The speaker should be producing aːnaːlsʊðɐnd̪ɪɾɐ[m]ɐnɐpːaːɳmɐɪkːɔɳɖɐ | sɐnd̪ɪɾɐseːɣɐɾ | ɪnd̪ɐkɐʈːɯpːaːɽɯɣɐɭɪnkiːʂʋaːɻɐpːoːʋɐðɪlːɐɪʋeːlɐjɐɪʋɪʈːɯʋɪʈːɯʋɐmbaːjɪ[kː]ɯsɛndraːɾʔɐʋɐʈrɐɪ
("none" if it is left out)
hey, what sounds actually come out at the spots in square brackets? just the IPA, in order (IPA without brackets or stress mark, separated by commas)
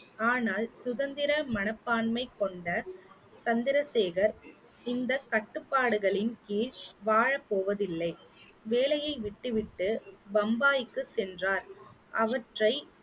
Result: m, kː